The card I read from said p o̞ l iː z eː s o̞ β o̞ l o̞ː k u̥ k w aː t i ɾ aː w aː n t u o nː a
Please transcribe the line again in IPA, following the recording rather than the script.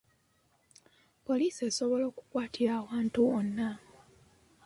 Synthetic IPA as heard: p o̞ l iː s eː s o̞ β o̞ l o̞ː k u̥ k w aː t i ɾ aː w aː n t u o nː a